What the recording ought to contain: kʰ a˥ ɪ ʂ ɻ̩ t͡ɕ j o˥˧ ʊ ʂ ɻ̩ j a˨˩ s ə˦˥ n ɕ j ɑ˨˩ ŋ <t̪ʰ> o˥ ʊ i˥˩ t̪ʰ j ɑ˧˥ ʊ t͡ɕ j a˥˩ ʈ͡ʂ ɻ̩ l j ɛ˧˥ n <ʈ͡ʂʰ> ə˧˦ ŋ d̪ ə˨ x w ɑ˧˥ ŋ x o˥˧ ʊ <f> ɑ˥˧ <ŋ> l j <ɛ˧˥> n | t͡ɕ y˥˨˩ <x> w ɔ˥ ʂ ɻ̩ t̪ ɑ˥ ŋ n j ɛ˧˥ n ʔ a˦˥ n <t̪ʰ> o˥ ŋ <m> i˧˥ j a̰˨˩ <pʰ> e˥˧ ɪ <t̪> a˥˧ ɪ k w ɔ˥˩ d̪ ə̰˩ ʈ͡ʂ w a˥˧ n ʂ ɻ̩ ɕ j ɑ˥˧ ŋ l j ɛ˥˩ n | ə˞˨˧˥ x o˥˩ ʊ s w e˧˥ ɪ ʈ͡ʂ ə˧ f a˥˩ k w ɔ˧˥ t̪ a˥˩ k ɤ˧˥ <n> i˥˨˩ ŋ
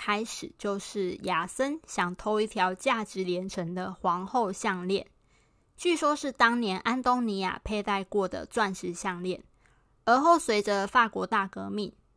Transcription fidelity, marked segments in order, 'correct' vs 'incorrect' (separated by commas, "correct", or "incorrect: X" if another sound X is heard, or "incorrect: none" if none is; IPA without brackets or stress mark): correct, correct, incorrect: ɕ, correct, incorrect: ɛ˥˨, incorrect: ʂ, incorrect: t̪, incorrect: n, correct, correct, incorrect: m